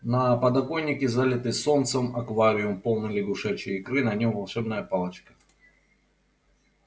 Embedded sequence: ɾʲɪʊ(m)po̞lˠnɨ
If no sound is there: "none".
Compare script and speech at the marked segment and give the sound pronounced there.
m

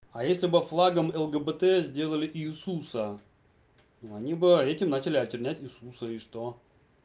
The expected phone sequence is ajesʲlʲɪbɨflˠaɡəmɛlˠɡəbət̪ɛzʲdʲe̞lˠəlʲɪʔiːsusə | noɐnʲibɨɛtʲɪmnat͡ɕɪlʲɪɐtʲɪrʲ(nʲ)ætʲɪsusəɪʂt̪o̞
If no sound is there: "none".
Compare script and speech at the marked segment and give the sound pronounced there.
nʲ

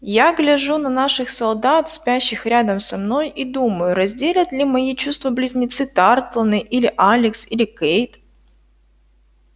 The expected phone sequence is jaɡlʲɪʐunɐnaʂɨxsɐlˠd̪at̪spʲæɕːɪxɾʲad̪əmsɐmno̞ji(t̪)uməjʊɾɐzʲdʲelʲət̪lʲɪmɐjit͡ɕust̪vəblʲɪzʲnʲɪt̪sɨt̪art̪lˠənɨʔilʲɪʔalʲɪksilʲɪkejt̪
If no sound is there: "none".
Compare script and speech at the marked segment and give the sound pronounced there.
d̪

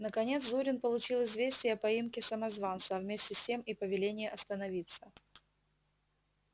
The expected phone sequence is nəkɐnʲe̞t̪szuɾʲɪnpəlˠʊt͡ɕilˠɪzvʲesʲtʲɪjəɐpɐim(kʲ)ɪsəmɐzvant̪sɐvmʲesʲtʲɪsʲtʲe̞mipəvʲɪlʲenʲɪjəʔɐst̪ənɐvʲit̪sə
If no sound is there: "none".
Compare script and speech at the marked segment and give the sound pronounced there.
kʲ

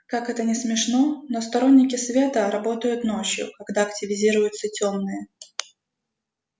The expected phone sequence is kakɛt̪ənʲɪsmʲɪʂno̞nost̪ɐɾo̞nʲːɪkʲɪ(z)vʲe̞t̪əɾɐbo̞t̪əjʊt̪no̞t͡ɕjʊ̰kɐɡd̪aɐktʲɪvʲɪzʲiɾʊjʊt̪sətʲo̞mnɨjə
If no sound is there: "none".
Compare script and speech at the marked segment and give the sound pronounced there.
s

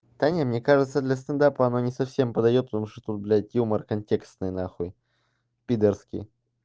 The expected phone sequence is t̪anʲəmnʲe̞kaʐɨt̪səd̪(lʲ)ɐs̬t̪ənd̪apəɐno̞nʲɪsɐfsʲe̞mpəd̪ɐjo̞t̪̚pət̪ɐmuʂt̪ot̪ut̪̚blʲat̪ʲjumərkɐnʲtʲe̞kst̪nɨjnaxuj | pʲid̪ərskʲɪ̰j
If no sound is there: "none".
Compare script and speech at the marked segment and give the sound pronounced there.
lʲ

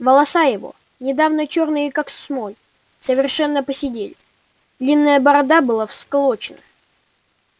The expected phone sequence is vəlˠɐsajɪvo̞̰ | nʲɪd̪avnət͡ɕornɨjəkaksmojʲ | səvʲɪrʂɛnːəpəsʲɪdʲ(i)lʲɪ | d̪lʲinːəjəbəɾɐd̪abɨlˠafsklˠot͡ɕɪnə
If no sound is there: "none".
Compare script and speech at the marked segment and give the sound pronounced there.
e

